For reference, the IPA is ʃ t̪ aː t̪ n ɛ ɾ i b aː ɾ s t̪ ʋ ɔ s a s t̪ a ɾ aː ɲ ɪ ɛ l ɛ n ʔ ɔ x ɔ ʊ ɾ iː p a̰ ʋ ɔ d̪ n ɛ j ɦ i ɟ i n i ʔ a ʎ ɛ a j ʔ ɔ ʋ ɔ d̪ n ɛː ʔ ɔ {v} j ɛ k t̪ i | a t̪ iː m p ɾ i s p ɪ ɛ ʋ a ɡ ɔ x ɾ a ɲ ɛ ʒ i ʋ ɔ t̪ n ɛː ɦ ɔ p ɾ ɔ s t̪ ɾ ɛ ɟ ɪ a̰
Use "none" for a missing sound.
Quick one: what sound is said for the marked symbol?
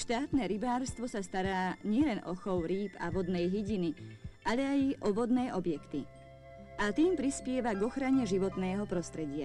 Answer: b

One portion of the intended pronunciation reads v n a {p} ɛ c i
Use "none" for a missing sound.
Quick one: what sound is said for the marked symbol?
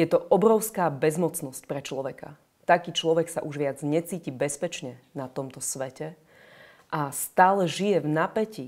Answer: p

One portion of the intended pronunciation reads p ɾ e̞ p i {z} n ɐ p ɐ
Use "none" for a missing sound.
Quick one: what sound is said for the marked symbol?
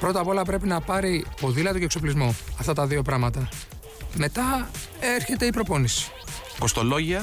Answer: none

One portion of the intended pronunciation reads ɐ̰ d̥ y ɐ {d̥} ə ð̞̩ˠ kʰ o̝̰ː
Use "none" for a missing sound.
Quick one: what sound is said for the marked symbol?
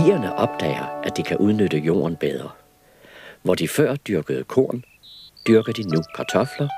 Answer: ɡ̥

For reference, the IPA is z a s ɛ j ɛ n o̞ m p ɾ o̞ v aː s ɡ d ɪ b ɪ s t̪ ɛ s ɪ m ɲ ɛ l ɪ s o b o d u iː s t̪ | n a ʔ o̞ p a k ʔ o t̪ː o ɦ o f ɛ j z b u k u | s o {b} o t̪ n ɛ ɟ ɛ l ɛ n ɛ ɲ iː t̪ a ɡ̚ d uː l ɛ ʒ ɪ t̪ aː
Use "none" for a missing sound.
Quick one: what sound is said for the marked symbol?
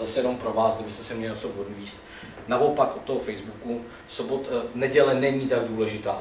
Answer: b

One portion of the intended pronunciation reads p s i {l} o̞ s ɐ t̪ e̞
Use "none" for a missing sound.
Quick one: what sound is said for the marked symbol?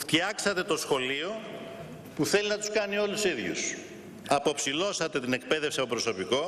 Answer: l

